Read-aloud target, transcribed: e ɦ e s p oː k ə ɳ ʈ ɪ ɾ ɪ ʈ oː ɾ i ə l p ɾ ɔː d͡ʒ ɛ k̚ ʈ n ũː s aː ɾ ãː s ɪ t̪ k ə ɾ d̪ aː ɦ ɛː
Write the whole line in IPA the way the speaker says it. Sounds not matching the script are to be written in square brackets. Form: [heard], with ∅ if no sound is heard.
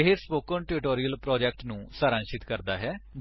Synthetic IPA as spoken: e ɦ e s p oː k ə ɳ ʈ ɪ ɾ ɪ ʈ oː ɾ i ə l p ɾ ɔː d͡ʒ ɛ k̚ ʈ n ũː s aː ɾ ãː [ʃ] ɪ t̪ k ə ɾ d̪ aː ɦ ɛː